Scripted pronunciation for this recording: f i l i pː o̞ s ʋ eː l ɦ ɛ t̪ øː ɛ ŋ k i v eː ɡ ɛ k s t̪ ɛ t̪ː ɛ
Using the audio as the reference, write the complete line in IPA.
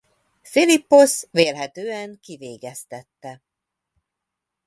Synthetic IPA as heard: f i l i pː o̞ s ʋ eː l ɦ ɛ t̪ øː ɛ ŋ k i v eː ɡ ɛ s t̪ ɛ t̪ː ɛ